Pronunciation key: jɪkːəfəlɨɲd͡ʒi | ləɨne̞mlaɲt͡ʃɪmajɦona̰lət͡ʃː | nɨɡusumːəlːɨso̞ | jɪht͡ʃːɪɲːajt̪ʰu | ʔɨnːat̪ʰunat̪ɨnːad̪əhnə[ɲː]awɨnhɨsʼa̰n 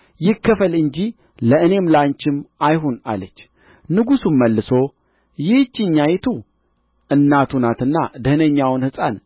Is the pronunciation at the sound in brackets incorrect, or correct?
correct